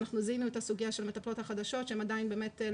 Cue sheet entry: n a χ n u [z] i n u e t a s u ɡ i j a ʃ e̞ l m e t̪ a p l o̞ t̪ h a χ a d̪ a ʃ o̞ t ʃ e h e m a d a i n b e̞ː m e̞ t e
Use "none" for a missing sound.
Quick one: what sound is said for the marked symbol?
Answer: z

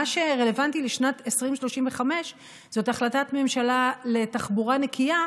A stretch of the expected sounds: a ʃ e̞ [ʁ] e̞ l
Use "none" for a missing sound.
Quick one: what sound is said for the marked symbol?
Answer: ʁ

